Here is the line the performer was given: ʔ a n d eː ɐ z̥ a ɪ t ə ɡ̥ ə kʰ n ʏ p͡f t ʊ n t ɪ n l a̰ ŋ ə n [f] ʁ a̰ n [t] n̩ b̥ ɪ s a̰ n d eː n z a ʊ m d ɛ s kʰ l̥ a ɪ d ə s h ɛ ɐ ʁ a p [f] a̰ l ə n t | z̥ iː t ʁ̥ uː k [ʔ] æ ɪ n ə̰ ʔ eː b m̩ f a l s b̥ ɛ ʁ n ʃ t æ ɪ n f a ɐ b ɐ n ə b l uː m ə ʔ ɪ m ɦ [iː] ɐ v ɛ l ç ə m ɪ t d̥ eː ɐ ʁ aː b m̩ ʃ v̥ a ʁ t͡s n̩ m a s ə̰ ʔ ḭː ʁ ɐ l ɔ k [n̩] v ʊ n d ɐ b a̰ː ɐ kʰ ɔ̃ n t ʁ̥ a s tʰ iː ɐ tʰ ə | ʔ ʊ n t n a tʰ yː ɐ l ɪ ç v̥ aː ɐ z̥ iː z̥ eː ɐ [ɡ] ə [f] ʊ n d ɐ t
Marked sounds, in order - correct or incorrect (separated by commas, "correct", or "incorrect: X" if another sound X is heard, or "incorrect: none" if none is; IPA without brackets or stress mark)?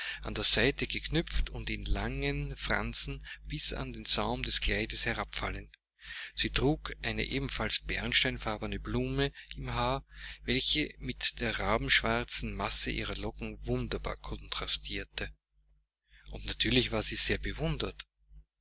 correct, incorrect: t͡s, correct, correct, incorrect: aː, incorrect: ŋ̩, incorrect: b, incorrect: v